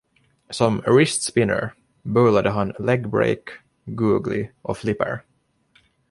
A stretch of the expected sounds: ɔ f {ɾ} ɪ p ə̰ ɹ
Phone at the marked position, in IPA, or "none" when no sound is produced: l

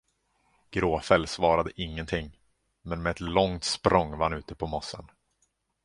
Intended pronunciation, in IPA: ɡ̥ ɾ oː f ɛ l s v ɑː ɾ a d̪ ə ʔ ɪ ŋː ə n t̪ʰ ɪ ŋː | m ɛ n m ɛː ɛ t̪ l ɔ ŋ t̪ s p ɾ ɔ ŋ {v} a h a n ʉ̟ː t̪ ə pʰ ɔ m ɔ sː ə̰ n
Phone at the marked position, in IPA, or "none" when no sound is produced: v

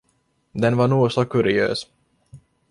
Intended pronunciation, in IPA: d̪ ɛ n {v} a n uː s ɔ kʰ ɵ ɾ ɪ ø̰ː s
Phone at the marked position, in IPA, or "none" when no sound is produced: v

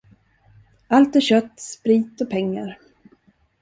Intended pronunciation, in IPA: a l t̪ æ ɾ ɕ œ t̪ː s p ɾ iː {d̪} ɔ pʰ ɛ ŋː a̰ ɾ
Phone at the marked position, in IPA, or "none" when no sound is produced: t̪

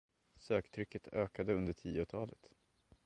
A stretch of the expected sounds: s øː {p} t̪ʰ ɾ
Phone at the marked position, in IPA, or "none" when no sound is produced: k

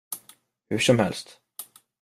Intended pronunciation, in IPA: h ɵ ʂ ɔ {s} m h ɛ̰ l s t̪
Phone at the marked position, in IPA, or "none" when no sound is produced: none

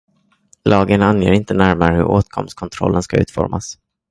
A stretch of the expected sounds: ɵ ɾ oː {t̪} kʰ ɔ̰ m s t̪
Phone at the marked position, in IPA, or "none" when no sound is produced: t̪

